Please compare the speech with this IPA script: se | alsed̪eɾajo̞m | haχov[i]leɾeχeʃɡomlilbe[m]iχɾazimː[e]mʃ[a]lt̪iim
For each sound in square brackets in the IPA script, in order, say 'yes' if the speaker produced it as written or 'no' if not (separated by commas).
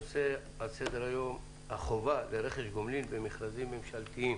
no, yes, yes, yes